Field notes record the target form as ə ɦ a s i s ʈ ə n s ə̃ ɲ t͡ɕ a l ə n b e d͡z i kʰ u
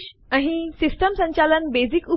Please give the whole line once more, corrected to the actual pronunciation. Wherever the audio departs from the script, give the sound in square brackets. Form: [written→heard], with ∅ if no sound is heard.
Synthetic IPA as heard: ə ɦ [a→i] s i s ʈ ə [n→m] s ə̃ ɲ t͡ɕ a l ə n b e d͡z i [kʰ→k] u